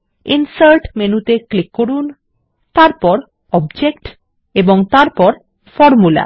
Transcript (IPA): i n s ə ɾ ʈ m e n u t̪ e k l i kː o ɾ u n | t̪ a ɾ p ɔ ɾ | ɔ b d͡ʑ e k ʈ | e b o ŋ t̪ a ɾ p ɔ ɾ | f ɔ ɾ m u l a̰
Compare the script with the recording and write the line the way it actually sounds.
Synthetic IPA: i n s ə ɾ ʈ m e n u t̪ e k l i kː o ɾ u n | t̪ a ɾ p ɔ ɾ | ɔ b d͡ʑ e k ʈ | e b o ŋ t̪ a ɾ p ɔ ɾ | f ɔ ɾ m u l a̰